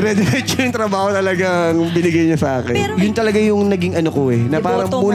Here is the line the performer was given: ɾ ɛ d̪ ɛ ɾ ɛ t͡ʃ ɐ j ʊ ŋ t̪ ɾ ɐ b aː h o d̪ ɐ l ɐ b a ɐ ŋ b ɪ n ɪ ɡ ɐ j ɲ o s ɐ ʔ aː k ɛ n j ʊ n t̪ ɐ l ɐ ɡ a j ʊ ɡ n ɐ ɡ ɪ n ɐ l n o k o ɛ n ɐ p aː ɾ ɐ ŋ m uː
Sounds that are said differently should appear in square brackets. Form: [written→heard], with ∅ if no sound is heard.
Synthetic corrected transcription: ɾ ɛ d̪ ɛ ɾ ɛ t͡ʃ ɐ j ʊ ŋ t̪ ɾ ɐ b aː h o [d̪→t̪] ɐ l ɐ [b→ɡ] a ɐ ŋ b ɪ n ɪ ɡ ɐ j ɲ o s ɐ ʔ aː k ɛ n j ʊ n t̪ ɐ l ɐ ɡ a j ʊ [ɡ→ŋ] n ɐ ɡ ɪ [n→ŋ] ɐ [l→∅] n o k o ɛ n ɐ p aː ɾ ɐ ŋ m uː